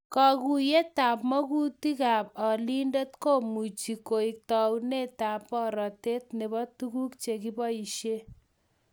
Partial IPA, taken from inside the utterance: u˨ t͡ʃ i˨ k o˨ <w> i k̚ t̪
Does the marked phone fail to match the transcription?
yes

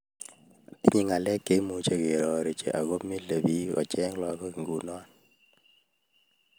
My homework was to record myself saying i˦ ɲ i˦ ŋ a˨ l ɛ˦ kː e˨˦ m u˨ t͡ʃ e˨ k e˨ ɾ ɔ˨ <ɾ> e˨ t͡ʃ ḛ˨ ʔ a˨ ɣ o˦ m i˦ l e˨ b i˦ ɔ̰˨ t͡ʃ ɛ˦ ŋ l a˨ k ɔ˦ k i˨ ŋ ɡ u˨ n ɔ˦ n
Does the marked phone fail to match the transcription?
no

